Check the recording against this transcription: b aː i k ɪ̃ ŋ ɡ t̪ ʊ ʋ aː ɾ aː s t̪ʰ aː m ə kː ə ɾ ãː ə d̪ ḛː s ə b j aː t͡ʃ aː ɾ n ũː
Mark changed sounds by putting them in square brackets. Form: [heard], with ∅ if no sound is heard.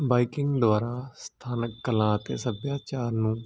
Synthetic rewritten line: b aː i k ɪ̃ ŋ ɡ [d̪] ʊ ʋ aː ɾ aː s t̪ʰ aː [n] ə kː ə [l] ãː ə [t̪] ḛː s ə b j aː t͡ʃ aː ɾ n ũː